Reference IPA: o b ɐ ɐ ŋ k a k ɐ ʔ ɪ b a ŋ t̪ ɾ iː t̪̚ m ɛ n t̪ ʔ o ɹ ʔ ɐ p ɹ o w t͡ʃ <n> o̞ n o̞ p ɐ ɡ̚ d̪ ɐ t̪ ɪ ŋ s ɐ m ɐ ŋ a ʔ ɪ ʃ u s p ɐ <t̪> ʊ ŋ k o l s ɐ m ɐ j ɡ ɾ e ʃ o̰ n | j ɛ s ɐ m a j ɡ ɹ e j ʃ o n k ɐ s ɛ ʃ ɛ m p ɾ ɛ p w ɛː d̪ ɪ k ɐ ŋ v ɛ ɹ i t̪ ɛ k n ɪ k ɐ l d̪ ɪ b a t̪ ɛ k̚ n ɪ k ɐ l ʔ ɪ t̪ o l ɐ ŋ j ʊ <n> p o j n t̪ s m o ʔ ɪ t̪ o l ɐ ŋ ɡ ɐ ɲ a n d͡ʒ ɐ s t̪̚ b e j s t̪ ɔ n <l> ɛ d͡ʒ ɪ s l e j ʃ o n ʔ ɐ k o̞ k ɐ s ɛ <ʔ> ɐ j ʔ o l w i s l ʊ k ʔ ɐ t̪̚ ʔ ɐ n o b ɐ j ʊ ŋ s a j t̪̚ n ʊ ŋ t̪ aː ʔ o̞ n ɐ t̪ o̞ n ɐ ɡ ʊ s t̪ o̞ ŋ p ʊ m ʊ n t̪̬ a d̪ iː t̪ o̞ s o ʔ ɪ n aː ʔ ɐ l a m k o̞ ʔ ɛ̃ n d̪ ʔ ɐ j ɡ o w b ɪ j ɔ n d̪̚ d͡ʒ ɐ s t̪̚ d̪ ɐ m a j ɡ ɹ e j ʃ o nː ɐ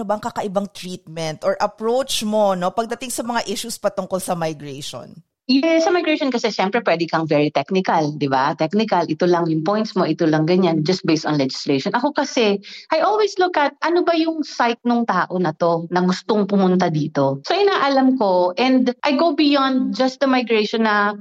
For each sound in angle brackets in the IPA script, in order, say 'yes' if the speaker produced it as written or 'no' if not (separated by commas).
no, yes, no, yes, yes